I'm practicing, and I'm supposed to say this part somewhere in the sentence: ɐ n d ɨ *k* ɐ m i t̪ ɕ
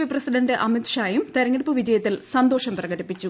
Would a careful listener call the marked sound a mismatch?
yes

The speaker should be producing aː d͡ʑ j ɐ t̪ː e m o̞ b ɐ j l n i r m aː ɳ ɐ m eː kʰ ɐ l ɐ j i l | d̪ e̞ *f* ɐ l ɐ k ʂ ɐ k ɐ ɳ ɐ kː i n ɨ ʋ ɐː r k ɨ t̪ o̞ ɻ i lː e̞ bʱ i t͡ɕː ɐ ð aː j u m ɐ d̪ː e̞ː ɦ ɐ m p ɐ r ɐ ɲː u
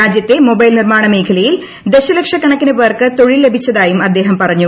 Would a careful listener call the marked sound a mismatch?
yes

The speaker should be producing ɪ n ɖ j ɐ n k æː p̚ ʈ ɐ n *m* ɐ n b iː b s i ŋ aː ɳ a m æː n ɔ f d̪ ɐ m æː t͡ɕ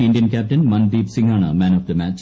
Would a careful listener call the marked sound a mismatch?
no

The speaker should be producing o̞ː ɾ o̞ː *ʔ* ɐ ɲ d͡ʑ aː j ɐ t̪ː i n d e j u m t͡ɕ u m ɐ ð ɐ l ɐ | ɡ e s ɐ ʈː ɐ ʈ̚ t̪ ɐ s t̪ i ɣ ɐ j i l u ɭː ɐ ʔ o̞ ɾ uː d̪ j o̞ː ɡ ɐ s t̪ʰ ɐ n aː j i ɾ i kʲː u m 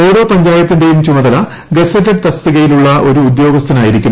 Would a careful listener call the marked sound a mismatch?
yes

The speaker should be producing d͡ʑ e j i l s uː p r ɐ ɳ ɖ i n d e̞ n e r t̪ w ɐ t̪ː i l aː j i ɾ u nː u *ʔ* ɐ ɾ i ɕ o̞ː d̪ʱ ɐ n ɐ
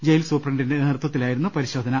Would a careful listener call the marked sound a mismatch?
yes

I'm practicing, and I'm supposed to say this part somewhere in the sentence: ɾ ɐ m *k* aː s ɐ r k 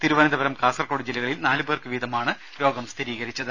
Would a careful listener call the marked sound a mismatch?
no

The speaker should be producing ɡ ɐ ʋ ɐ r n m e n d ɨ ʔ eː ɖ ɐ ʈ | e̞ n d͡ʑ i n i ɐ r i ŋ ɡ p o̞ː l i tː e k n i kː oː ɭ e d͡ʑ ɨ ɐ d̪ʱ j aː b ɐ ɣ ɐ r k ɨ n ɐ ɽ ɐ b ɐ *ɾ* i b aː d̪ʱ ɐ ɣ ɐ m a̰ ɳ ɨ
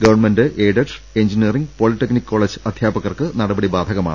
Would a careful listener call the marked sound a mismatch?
yes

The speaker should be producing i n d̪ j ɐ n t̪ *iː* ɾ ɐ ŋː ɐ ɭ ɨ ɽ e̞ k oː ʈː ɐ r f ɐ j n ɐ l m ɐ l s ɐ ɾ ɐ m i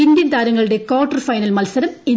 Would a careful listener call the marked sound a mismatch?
yes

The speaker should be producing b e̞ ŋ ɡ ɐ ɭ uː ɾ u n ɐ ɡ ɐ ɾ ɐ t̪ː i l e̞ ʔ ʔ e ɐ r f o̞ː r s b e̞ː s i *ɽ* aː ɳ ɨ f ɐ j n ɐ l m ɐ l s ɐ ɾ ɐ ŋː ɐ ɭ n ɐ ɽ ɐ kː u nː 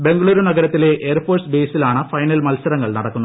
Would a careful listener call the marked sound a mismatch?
yes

